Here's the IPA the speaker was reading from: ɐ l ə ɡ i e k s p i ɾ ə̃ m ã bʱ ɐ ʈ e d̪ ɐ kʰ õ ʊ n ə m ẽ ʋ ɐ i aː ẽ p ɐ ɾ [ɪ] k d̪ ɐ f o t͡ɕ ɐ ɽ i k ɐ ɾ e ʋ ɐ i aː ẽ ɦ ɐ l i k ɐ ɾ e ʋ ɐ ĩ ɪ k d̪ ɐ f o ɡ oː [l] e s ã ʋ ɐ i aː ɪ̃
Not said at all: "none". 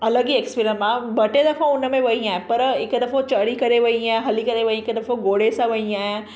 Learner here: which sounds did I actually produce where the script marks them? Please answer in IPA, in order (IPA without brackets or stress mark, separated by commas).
ɪ, ɽ